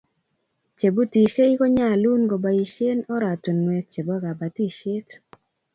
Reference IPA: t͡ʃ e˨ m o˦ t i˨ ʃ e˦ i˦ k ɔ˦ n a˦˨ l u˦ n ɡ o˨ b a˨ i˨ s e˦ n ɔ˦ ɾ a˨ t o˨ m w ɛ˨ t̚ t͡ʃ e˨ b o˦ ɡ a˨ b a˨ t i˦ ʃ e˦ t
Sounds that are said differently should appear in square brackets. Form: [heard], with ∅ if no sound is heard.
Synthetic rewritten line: t͡ʃ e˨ [b] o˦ t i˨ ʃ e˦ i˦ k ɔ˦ [ɲ] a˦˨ l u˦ n ɡ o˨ b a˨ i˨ [ʃ] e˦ n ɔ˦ ɾ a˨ t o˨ [n] w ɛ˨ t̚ t͡ʃ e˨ b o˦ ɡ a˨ b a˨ t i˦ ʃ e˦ t